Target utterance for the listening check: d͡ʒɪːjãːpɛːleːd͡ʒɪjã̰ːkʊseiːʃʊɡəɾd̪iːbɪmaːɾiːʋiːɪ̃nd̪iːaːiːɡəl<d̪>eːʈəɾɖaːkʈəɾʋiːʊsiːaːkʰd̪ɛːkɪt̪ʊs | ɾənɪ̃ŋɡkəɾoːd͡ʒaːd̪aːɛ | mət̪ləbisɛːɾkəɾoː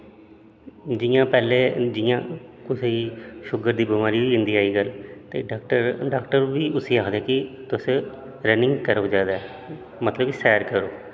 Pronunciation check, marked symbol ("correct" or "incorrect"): incorrect